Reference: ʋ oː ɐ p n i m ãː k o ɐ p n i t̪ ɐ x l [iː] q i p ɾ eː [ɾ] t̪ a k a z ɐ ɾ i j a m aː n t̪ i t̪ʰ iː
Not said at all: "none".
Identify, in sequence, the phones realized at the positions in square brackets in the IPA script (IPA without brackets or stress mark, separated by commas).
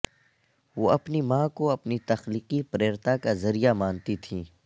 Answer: iː, ɾ